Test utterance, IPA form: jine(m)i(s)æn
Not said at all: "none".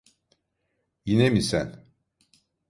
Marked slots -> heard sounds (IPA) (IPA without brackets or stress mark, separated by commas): m, s